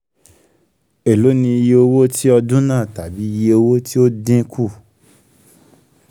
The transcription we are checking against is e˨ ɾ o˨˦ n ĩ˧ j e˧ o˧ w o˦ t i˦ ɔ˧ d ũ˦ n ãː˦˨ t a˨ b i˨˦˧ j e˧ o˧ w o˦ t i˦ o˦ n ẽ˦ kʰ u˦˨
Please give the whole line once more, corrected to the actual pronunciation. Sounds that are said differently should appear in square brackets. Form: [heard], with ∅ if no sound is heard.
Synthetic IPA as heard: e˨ [l] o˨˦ n ĩ˧ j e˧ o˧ w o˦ t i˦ ɔ˧ d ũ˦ n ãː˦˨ t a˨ b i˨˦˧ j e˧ o˧ w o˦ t i˦ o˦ [d] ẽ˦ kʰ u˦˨